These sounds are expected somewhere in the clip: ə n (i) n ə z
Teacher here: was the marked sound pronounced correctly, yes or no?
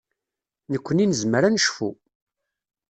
yes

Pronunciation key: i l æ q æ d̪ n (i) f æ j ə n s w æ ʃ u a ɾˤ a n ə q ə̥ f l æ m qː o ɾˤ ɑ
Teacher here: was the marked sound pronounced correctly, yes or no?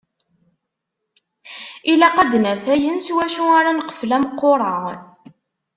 no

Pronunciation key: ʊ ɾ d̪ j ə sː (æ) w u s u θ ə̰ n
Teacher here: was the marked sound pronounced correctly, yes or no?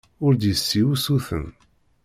no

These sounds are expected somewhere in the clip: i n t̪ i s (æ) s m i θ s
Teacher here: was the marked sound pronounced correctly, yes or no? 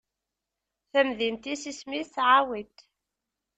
no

